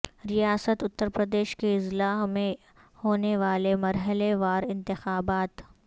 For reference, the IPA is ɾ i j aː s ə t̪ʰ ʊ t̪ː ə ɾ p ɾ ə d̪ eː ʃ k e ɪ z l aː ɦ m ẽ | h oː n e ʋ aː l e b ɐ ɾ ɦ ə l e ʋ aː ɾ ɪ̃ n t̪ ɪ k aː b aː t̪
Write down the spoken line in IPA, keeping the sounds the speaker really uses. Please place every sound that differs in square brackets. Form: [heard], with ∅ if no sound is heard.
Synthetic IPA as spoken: ɾ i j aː s ə [t̪] ʊ t̪ː ə ɾ p ɾ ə d̪ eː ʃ k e ɪ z l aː ɦ m ẽ | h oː n e ʋ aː l e [m] ɐ ɾ ɦ ə l e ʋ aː ɾ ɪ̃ n t̪ ɪ [x] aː b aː t̪

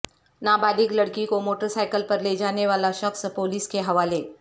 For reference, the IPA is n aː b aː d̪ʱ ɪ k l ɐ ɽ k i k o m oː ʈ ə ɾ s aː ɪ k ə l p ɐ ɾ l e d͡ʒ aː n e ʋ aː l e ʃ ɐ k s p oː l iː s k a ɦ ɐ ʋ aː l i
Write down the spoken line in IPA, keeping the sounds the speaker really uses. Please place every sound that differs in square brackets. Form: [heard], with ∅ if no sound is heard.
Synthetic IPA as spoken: n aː b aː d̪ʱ ɪ k l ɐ ɽ k i k o m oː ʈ ə ɾ s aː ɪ k ə l p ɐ ɾ l e d͡ʒ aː n e ʋ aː l [a] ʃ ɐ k s p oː l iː s k [e] ɦ ɐ ʋ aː l [e]

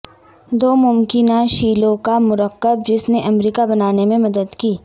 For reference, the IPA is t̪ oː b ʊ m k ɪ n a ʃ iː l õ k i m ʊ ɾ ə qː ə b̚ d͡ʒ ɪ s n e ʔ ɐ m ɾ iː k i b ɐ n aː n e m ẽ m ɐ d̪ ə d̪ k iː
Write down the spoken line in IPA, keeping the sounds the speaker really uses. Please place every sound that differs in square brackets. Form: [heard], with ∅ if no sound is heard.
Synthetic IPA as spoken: [d̪] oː [m] ʊ m k ɪ n a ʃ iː l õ k [a] m ʊ ɾ ə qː ə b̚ d͡ʒ ɪ s n e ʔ ɐ m ɾ iː k [a] b ɐ n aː n e m ẽ m ɐ d̪ ə d̪ k iː

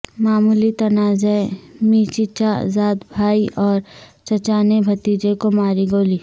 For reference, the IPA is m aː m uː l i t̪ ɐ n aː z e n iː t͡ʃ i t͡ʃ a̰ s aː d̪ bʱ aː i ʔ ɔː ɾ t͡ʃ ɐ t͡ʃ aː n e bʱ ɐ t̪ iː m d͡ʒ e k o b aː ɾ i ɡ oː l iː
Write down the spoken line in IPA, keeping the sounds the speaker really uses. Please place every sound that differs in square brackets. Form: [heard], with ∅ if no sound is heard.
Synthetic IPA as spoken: m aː m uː l i t̪ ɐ n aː z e [m] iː t͡ʃ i t͡ʃ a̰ [z] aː d̪ bʱ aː i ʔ ɔː ɾ t͡ʃ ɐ t͡ʃ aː n e bʱ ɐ t̪ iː [∅] d͡ʒ e k o [m] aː ɾ i ɡ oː l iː

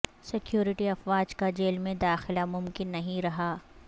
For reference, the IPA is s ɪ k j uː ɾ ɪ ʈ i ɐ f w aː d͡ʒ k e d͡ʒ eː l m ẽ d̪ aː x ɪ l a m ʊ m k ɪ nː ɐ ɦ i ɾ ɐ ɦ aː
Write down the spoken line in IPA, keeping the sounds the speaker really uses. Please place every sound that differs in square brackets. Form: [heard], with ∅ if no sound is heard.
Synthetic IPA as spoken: s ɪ k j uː ɾ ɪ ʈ i ɐ f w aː d͡ʒ k [a] d͡ʒ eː l m ẽ d̪ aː x ɪ l a m ʊ m k ɪ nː ɐ ɦ [ĩ] ɾ ɐ ɦ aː

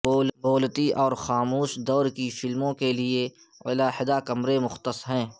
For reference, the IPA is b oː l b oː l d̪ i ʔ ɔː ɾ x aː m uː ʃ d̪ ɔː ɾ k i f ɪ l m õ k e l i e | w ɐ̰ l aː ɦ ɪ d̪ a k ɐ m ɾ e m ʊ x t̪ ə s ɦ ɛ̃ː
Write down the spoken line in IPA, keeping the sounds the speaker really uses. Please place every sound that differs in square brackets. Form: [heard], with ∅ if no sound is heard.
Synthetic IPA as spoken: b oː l b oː l [t̪] i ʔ ɔː ɾ x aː m uː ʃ d̪ ɔː ɾ k i f ɪ l m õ k e l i e | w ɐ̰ l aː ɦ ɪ d̪ a k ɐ m ɾ e m ʊ x t̪ ə s ɦ ɛ̃ː

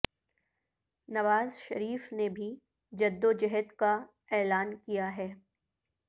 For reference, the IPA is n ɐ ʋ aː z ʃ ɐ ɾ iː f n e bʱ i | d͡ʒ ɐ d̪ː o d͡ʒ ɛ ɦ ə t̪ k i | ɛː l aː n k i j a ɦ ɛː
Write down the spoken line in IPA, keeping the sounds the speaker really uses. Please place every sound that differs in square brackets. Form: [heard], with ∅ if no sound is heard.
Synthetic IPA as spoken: n ɐ ʋ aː z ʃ ɐ ɾ iː f n e bʱ i | d͡ʒ ɐ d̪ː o d͡ʒ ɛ ɦ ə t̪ k [a] | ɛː l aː n k i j a ɦ ɛː

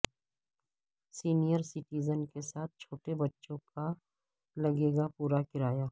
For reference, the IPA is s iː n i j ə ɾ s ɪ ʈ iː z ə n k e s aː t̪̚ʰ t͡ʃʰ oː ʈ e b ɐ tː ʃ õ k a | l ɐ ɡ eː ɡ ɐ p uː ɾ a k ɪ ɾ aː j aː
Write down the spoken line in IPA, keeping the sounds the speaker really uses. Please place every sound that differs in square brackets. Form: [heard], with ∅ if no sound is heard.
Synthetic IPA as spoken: s iː n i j ə ɾ s ɪ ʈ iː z ə n k e s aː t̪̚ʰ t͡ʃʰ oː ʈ e b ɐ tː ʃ õ k a | l ɐ ɡ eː ɡ [a] p uː ɾ a k ɪ ɾ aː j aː

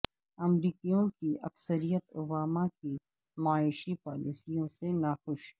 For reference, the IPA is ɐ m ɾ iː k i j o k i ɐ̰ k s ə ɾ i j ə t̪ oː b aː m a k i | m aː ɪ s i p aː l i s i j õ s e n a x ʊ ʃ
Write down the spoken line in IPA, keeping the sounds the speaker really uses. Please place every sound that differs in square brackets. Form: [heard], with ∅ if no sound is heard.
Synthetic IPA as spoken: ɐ m ɾ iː k i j [õ] k i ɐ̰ k s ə ɾ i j ə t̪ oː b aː m a k i | m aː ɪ [ʃ] i p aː l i s i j õ s e n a x ʊ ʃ

